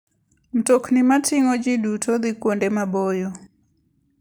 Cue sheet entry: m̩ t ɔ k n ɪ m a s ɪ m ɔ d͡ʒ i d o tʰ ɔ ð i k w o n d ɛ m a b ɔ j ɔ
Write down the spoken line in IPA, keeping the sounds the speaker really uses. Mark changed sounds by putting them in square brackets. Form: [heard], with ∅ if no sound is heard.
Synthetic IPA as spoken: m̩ t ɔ k n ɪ m a [t] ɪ [ŋ] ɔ d͡ʒ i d [u] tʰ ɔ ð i k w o n d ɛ m a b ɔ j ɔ